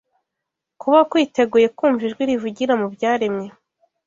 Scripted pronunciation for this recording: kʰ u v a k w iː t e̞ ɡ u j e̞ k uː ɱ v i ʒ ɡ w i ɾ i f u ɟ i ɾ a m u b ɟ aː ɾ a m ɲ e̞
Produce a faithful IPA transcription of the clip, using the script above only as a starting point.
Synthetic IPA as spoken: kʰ u β a k w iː t e̞ ɡ u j e̞ k uː ɱ v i ʒ ɡ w i ɾ i v u ɟ i ɾ a m u b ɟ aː ɾ e m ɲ e̞